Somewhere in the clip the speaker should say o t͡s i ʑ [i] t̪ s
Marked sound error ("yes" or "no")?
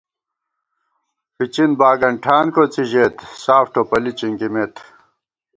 yes